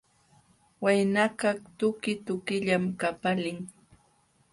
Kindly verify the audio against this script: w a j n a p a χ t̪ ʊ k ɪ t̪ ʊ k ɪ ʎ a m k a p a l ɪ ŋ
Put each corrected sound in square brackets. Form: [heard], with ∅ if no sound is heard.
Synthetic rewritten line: w a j n a [k] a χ t̪ ʊ k ɪ t̪ ʊ k ɪ ʎ a m k a p a l ɪ ŋ